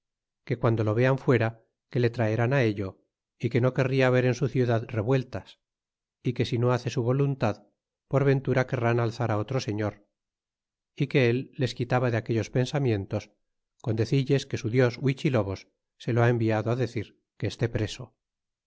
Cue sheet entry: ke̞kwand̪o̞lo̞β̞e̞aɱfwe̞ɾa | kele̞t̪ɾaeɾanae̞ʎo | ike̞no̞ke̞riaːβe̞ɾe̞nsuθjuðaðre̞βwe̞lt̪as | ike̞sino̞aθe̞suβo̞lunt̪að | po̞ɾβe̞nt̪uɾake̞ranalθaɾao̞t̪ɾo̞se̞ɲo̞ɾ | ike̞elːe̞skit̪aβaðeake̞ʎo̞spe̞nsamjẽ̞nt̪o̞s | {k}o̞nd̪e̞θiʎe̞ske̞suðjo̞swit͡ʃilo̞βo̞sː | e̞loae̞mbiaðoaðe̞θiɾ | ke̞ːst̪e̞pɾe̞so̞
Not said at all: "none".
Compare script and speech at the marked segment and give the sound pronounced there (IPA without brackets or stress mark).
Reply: k